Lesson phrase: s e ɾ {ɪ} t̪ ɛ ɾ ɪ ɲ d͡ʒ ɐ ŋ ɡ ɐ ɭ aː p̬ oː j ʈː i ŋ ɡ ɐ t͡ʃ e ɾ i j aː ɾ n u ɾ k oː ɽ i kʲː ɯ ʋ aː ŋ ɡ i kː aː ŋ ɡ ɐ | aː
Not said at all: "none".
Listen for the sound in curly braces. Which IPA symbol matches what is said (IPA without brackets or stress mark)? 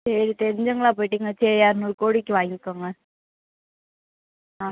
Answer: i